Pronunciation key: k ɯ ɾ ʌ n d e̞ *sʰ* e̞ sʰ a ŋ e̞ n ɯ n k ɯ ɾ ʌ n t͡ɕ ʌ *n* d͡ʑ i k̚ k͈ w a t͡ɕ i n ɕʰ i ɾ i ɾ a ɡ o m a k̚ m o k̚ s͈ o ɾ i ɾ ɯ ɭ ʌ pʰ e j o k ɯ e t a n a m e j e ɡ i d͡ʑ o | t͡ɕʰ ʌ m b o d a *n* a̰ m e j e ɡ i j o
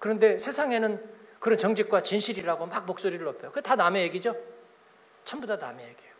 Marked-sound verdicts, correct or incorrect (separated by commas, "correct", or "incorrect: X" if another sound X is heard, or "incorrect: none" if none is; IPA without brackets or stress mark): correct, incorrect: ŋ, correct